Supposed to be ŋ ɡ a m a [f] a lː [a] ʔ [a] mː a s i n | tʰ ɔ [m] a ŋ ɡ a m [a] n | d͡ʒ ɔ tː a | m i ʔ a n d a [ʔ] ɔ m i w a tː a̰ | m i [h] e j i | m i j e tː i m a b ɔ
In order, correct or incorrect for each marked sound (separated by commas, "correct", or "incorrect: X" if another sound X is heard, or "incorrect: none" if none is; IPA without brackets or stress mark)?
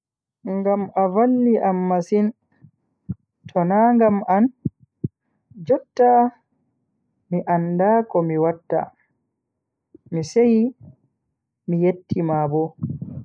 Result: incorrect: v, incorrect: i, correct, incorrect: n, correct, incorrect: k, incorrect: s